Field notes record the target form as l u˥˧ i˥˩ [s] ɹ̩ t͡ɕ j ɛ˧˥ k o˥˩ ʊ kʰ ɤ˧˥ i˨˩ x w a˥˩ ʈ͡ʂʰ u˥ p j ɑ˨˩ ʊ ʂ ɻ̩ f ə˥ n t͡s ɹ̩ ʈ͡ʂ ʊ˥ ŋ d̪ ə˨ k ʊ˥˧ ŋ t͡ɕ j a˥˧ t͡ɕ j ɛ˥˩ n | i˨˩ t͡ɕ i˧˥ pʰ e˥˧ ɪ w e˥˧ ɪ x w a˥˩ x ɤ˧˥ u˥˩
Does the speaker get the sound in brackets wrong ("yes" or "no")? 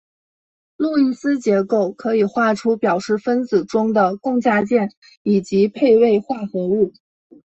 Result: no